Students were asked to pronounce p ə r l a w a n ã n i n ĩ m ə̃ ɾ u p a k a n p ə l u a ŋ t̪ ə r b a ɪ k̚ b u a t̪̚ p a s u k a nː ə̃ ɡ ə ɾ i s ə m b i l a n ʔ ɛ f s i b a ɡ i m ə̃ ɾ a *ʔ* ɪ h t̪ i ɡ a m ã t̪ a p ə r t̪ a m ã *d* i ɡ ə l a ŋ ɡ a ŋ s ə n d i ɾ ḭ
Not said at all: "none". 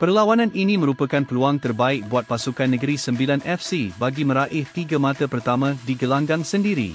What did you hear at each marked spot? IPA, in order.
ʔ, d

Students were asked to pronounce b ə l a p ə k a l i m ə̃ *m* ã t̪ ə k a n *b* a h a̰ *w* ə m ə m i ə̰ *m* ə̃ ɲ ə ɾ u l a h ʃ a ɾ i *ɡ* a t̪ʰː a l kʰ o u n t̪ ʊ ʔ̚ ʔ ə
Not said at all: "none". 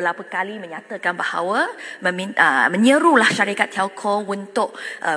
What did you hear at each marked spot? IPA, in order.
ɲ, b, w, m, k

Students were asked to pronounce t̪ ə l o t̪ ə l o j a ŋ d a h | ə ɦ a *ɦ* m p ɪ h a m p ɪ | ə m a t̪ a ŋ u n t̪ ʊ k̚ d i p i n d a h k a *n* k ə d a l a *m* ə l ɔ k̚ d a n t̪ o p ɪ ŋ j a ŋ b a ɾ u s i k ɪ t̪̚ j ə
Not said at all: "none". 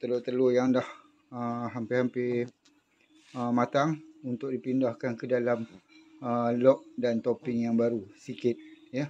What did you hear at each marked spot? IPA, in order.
none, n, m

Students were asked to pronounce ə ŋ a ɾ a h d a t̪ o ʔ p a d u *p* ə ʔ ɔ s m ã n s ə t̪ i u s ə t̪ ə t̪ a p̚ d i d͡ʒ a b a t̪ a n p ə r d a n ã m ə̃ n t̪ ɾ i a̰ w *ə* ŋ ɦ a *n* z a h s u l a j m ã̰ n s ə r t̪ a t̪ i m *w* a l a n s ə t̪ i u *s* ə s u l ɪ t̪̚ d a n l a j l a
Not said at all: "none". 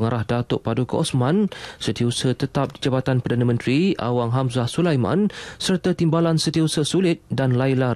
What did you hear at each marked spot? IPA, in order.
k, a, m, b, s

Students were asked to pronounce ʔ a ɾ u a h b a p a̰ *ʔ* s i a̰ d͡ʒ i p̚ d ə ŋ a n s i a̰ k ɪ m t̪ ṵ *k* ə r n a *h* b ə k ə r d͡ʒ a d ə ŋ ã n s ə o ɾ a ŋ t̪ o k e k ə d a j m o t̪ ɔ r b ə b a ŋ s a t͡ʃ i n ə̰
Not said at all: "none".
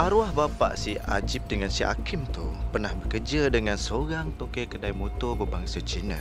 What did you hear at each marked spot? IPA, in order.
ʔ, p, h

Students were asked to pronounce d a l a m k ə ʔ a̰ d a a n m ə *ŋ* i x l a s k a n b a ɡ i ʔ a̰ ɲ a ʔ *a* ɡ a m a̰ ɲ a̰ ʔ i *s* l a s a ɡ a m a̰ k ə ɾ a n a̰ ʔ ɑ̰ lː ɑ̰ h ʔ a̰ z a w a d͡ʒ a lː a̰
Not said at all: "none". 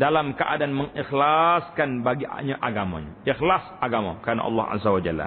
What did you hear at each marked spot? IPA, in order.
ŋ, a, x

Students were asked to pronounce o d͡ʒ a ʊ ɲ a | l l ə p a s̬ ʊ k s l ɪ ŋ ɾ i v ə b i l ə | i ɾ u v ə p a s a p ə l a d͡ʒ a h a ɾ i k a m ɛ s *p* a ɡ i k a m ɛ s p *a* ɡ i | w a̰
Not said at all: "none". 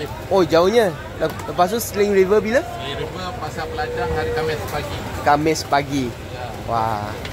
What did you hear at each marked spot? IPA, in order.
p, a

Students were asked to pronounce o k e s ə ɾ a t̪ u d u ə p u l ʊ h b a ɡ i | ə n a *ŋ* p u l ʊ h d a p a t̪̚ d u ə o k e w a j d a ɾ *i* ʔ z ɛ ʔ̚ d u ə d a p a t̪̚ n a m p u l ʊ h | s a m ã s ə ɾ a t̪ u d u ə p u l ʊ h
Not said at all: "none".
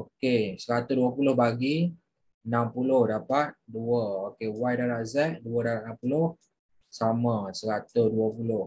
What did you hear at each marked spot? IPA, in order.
m, a

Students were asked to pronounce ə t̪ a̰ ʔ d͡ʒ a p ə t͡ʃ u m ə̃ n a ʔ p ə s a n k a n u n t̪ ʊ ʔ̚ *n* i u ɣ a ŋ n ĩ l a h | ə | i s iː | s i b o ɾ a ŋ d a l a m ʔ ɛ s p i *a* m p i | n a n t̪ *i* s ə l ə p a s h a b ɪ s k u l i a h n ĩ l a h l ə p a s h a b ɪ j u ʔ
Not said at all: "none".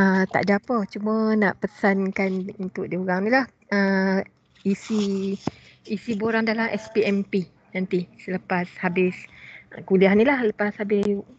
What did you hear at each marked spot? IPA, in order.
d, ɛ, i

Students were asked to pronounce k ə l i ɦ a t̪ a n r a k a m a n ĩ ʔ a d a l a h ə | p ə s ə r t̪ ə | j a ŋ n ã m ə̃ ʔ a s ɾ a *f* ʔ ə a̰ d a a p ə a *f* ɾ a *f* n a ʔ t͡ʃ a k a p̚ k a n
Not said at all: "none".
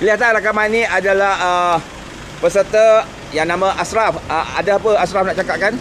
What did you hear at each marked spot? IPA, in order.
f, s, f

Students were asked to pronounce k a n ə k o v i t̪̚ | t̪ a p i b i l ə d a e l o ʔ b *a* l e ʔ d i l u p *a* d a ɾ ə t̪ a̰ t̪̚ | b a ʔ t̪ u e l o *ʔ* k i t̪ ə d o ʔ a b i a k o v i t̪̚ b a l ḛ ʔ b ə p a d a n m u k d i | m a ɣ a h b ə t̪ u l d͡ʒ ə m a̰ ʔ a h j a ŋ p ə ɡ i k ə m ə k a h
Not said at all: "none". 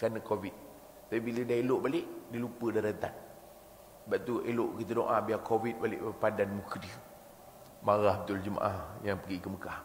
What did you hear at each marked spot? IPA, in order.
a, ə, ʔ

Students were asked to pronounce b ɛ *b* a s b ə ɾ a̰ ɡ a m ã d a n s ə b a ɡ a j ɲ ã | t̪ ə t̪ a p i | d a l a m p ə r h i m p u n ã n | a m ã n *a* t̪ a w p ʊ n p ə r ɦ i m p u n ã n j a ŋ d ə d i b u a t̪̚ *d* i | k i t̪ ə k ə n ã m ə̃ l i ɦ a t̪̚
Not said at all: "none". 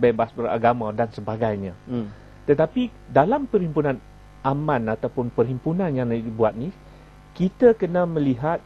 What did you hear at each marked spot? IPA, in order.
b, a, n

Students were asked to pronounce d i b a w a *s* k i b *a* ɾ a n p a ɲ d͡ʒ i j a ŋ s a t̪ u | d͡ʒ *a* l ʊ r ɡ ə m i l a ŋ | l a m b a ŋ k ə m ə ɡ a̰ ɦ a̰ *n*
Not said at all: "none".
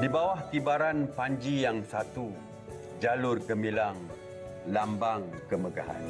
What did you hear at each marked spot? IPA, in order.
h, a, a, n

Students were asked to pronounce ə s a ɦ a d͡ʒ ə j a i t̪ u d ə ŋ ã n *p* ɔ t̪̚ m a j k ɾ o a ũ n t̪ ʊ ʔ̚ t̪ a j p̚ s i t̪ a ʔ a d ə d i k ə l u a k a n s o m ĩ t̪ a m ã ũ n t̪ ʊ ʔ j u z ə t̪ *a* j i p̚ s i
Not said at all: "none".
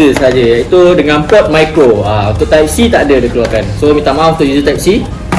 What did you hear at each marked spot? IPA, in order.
p, a

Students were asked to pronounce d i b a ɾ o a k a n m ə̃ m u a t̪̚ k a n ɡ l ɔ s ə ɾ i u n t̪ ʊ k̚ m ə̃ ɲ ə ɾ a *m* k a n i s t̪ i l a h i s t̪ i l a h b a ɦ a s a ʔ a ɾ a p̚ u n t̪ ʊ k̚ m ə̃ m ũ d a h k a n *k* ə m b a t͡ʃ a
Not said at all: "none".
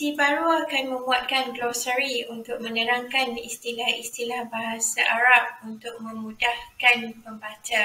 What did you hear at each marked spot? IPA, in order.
ŋ, p

